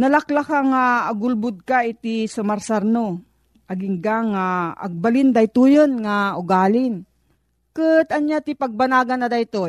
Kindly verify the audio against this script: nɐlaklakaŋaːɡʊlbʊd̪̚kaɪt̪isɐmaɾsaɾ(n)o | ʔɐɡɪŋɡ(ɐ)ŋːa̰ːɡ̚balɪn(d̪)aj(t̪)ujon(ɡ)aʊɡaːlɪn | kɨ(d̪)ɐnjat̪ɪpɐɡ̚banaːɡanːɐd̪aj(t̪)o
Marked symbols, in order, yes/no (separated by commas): yes, no, yes, yes, no, no, yes